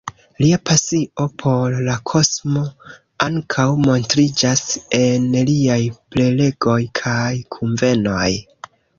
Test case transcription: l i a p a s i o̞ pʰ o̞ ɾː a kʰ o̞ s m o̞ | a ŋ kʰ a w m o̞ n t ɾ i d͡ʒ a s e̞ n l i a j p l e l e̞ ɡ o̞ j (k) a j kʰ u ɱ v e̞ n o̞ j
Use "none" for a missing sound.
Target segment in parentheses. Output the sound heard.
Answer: kʰ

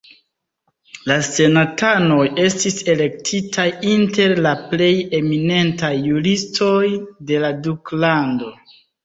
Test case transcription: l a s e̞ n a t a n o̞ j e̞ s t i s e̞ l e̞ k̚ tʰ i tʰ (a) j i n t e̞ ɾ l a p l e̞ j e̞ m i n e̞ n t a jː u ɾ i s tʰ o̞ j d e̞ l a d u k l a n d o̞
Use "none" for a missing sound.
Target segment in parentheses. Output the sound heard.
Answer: a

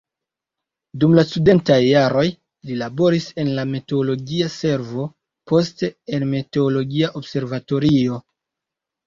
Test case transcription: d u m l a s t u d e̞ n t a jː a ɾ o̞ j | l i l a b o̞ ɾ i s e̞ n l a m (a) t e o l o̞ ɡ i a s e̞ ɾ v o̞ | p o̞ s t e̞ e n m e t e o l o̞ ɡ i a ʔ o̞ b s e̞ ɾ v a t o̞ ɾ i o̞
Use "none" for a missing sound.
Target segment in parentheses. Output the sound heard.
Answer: e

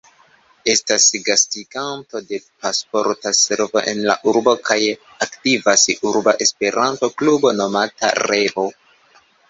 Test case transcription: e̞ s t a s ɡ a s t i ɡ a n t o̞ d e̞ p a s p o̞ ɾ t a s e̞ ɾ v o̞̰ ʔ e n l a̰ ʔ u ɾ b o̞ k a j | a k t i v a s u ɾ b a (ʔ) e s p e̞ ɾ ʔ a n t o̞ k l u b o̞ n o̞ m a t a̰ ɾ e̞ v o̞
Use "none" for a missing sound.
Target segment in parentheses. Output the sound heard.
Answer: ʔ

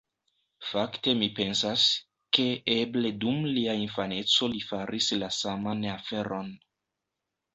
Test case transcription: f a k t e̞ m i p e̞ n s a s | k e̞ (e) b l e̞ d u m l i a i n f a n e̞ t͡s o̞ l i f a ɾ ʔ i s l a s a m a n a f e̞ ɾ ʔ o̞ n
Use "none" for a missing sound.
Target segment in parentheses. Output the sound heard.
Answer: e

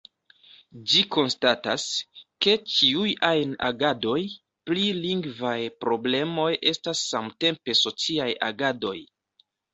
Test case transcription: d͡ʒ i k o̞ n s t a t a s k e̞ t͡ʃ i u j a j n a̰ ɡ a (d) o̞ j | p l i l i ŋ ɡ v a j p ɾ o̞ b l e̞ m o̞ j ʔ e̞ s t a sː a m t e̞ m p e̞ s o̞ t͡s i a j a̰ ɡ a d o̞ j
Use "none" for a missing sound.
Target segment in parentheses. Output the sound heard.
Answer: d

